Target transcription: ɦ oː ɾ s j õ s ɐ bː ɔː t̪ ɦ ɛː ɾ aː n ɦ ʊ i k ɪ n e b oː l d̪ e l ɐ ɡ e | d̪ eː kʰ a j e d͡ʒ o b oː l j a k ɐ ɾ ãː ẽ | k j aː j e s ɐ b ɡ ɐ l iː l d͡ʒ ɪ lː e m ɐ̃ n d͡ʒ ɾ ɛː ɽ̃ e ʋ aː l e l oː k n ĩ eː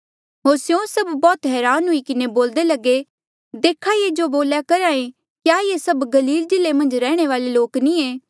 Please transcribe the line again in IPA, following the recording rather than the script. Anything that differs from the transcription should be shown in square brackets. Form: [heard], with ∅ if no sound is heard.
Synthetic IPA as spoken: ɦ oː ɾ s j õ s ɐ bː ɔː t̪ ɦ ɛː ɾ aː n ɦ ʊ i k ɪ n e b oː l d̪ e l ɐ ɡ e | d̪ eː kʰ a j e d͡ʒ o b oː l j a k ɐ ɾ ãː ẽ | k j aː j e s ɐ b ɡ ɐ l iː l d͡ʒ ɪ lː e m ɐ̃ n d͡ʒ ɾ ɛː ɽ̃ e ʋ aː l e l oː k n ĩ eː